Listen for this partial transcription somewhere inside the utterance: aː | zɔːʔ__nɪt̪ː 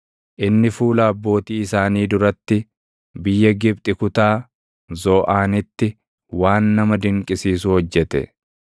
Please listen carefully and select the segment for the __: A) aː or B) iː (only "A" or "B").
A